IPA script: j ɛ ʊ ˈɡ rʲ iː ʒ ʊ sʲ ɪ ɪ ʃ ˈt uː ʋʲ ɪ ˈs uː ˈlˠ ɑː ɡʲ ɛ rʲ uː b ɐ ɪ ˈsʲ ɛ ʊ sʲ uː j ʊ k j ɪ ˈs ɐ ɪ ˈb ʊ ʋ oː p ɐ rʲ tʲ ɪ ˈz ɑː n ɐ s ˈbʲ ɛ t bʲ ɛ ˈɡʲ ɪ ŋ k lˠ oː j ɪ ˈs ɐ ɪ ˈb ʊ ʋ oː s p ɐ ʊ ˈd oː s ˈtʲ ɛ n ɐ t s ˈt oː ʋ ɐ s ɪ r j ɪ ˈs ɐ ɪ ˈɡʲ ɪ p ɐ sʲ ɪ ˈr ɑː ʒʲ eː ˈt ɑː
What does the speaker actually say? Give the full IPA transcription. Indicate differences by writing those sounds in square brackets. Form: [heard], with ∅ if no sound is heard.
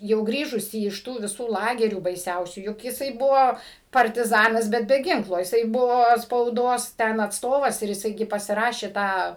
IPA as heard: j ɛ ʊ ˈɡ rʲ iː ʒ ʊ sʲ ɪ ɪ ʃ ˈt uː ʋʲ ɪ ˈs uː ˈlˠ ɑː ɡʲ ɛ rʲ uː b ɐ ɪ ˈsʲ ɛ ʊ sʲ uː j ʊ k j ɪ ˈs ɐ ɪ ˈb ʊ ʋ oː p ɐ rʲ tʲ ɪ ˈz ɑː n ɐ s ˈbʲ ɛ t bʲ ɛ ˈɡʲ ɪ ŋ k lˠ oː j ɪ ˈs ɐ ɪ ˈb ʊ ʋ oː s p ɐ ʊ ˈd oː s ˈtʲ ɛ n ɐ t s ˈt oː ʋ ɐ s ɪ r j ɪ ˈs ɐ ɪ ˈɡʲ ɪ p ɐ sʲ ɪ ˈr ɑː [ʃʲ] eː ˈt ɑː

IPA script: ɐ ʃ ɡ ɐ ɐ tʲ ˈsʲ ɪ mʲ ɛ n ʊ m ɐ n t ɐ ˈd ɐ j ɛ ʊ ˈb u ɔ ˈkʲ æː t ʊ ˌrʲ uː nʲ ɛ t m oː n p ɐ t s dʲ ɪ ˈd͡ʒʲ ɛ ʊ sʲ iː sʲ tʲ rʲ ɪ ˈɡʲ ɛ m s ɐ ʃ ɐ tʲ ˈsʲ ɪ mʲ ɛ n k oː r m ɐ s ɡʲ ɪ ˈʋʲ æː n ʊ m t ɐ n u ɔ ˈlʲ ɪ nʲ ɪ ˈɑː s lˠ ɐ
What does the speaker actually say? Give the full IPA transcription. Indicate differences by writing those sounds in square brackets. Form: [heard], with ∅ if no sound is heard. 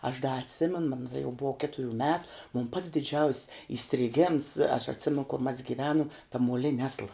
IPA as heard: ɐ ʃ [d] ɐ ɐ tʲ ˈsʲ ɪ mʲ ɛ n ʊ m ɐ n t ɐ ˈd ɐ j ɛ ʊ ˈb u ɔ ˈkʲ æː t ʊ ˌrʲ uː [mʲ] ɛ t m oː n p ɐ t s dʲ ɪ ˈd͡ʒʲ ɛ ʊ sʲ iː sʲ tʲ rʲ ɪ ˈɡʲ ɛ m s ɐ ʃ ɐ tʲ ˈsʲ ɪ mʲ ɛ n k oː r m ɐ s ɡʲ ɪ ˈʋʲ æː n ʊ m t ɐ [m] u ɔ ˈlʲ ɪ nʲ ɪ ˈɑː s lˠ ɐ

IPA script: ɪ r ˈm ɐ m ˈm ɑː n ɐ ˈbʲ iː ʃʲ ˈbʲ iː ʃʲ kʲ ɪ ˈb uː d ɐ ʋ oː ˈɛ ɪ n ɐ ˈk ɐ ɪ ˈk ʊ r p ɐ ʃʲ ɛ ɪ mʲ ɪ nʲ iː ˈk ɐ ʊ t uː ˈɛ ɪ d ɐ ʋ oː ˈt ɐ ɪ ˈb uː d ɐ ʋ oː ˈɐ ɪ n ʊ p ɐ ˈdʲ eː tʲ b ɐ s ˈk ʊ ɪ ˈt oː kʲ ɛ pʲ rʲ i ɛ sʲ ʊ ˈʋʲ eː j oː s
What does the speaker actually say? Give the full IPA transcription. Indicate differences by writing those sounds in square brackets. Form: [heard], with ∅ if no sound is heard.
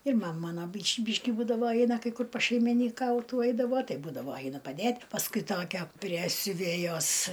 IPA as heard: ɪ r ˈm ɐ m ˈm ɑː n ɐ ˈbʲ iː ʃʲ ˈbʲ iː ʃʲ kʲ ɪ ˈb uː d ɐ ʋ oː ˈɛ ɪ n ɐ ˈk ɐ ɪ ˈk ʊ r p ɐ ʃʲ ɛ ɪ mʲ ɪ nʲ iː ˈk ɐ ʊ t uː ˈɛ ɪ d ɐ ʋ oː ˈt ɐ ɪ ˈb uː d ɐ ʋ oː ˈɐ ɪ n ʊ p ɐ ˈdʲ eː tʲ [p] ɐ s ˈk ʊ ɪ ˈt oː kʲ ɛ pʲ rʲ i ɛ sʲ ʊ ˈʋʲ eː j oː s

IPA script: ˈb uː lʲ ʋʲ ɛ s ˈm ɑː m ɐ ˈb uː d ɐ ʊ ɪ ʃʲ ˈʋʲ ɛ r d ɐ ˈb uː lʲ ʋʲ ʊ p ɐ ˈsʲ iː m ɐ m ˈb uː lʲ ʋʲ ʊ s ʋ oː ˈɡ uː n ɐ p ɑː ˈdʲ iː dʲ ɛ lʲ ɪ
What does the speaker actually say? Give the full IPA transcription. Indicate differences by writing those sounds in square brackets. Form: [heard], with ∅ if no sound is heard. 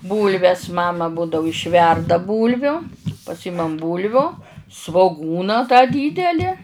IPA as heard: ˈb uː lʲ ʋʲ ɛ s ˈm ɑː m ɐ ˈb uː d ɐ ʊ ɪ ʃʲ ˈʋʲ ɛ r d ɐ ˈb uː lʲ ʋʲ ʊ p ɐ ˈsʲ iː m ɐ m ˈb uː lʲ ʋʲ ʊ s ʋ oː ˈɡ uː n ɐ [t] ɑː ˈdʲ iː dʲ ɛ lʲ ɪ

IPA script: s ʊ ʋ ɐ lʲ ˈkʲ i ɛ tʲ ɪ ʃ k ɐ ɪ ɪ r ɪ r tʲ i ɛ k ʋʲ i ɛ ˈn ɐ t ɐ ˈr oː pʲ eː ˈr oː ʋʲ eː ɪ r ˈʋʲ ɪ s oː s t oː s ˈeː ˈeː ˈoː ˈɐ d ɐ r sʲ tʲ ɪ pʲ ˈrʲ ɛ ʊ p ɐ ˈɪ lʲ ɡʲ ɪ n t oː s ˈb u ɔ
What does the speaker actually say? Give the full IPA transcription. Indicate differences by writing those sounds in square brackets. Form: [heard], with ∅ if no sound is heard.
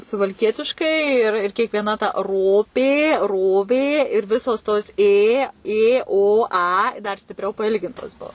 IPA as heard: s ʊ ʋ ɐ lʲ ˈkʲ i ɛ tʲ ɪ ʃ k ɐ ɪ ɪ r ɪ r [kʲ] i ɛ k ʋʲ i ɛ ˈn ɐ t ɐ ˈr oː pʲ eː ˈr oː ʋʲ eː ɪ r ˈʋʲ ɪ s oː s t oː s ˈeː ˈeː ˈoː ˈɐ d ɐ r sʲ tʲ ɪ pʲ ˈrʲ ɛ ʊ p ɐ ˈɪ lʲ ɡʲ ɪ n t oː s ˈb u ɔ

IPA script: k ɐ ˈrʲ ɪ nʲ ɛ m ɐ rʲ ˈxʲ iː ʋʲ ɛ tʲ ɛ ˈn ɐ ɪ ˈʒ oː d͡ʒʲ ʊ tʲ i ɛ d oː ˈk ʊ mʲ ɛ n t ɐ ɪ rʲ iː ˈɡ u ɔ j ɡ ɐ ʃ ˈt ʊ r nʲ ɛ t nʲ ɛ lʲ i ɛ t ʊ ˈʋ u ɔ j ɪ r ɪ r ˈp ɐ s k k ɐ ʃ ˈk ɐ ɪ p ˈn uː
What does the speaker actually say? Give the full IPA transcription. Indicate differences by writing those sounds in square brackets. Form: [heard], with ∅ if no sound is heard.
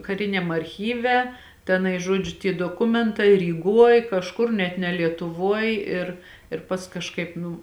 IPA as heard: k ɐ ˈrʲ ɪ nʲ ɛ m ɐ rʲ ˈxʲ iː ʋʲ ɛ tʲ ɛ ˈn ɐ ɪ ˈʒ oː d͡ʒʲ ʊ tʲ i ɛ d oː ˈk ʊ mʲ ɛ n t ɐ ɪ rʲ iː ˈɡ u ɔ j [k] ɐ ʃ [ˈk] ʊ r nʲ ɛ t nʲ ɛ lʲ i ɛ t ʊ ˈʋ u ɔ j ɪ r ɪ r ˈp ɐ s k k ɐ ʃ ˈk ɐ ɪ p ˈn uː

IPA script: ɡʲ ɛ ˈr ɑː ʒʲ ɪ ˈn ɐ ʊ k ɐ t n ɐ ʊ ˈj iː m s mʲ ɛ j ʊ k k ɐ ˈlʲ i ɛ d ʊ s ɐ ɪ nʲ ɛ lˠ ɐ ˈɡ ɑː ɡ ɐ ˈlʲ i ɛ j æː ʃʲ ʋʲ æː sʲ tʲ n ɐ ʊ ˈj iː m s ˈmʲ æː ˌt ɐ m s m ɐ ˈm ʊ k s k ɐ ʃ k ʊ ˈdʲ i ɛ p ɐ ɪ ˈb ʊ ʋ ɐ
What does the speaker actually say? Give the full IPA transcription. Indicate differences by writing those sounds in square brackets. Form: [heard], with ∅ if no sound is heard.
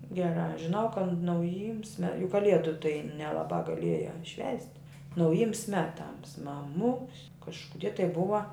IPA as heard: ɡʲ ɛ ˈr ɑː ʒʲ ɪ ˈn ɐ ʊ k ɐ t n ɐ ʊ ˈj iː m s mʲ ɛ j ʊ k k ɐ ˈlʲ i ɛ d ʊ [t] ɐ ɪ nʲ ɛ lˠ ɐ [ˈb] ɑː ɡ ɐ ˈlʲ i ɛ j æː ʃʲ ʋʲ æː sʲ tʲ n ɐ ʊ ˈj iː m s ˈmʲ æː ˌt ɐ m s m ɐ ˈm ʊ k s k ɐ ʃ k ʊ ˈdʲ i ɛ [t] ɐ ɪ ˈb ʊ ʋ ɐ

